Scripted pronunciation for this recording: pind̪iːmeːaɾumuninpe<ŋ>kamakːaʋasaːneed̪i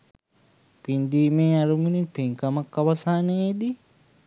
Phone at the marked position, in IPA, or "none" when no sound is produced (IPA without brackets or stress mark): ŋ